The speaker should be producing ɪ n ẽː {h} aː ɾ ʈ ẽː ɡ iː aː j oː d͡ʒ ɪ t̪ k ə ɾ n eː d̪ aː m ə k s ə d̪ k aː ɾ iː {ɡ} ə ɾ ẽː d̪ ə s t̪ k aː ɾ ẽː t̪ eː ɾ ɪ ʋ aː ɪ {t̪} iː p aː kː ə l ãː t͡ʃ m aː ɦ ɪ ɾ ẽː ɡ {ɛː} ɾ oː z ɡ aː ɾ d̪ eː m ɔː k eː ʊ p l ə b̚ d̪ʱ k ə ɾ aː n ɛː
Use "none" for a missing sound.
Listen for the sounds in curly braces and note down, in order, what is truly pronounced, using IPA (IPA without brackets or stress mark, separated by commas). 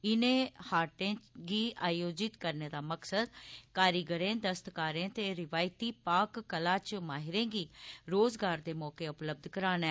h, ɡ, t̪, iː